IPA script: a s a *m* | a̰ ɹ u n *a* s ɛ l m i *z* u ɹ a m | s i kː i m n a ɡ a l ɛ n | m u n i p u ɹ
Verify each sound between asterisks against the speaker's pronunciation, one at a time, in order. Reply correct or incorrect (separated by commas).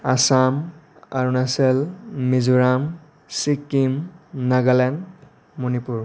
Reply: correct, correct, correct